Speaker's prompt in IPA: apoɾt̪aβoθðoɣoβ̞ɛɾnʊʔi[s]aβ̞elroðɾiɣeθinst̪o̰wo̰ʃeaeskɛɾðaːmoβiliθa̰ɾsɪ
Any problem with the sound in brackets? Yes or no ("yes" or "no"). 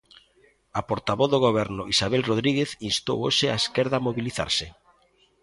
no